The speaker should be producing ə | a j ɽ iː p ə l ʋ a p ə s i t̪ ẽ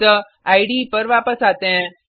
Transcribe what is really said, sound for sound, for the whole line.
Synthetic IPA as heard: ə | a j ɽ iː p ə ɾ ʋ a p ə s a t̪ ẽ